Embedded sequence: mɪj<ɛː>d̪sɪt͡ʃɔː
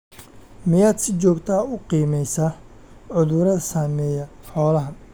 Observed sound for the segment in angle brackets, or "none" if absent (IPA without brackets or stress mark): aː